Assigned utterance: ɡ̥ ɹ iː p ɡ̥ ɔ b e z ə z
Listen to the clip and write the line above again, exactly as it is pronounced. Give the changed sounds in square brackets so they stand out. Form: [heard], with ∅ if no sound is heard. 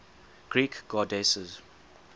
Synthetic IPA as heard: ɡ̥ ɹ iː [k] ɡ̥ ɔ [d] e [s] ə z